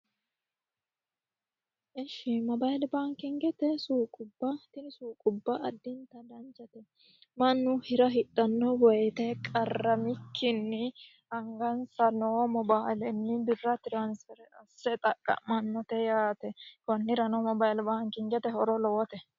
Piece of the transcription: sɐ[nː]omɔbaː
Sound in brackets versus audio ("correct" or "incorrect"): incorrect